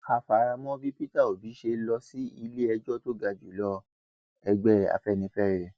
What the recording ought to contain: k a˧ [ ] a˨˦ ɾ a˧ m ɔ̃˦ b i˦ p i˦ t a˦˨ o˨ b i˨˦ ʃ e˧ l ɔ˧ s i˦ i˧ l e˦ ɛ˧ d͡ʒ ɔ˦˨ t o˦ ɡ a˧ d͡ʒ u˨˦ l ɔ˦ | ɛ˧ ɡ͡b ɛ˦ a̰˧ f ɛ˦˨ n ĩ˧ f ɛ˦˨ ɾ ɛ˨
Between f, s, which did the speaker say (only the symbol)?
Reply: f